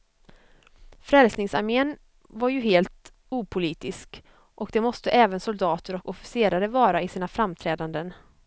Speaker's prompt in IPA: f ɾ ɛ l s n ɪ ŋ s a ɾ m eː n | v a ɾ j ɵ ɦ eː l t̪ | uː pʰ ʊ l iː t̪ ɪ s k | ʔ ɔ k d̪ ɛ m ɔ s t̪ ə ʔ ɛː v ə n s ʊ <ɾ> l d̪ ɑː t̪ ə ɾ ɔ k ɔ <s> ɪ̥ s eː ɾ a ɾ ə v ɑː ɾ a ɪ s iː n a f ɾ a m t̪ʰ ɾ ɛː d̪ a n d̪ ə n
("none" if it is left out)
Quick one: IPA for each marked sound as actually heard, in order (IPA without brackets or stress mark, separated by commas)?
none, f